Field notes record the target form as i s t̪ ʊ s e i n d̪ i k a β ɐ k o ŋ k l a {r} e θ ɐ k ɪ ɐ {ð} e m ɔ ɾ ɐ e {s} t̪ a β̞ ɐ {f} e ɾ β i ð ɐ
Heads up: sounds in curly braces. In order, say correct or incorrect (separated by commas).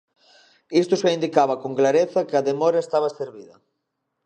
incorrect, correct, correct, incorrect